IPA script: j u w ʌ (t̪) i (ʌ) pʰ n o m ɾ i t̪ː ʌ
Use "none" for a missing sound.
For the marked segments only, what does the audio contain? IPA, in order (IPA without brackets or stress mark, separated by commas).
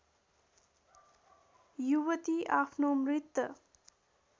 t̪, a